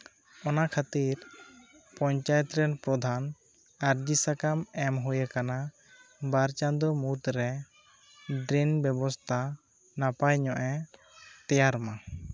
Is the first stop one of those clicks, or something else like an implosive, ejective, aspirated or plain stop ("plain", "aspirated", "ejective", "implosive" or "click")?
aspirated